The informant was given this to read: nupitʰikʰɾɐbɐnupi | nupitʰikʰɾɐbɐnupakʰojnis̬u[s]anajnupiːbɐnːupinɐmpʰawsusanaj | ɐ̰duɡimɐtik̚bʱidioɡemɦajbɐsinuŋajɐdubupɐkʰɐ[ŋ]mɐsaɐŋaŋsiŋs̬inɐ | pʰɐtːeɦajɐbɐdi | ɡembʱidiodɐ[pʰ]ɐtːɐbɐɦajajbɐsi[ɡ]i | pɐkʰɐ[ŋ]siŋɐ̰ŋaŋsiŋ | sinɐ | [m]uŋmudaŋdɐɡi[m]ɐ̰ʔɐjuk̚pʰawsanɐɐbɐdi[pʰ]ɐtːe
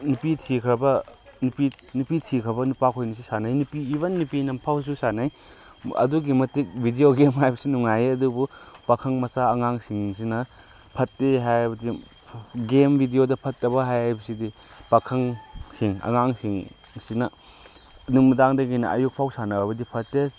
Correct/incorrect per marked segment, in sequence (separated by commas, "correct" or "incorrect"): correct, correct, correct, incorrect, correct, incorrect, incorrect, correct